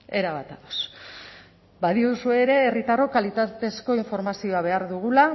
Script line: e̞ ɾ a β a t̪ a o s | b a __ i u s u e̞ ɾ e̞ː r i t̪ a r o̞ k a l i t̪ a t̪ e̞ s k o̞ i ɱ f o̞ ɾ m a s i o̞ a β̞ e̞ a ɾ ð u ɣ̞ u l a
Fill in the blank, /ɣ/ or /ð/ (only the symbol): ð